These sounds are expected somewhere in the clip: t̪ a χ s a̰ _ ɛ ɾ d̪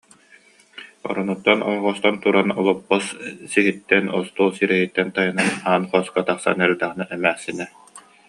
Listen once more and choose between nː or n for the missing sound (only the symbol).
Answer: n